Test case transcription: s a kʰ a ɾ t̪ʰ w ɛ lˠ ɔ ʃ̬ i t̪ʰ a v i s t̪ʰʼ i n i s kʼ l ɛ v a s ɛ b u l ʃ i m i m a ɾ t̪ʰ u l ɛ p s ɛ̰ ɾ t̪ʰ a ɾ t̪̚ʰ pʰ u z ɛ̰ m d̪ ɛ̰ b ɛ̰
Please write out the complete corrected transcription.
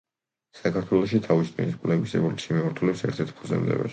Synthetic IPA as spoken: s a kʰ a ɾ t̪ʰ w ɛ lˠ ɔ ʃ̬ i t̪ʰ a v i s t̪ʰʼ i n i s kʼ l ɛ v i s ɛ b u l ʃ i m i m a ɾ t̪ʰ u l ɛ p s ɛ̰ ɾ t̪ʰ ɛ ɾ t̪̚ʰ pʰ u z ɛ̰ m d̪ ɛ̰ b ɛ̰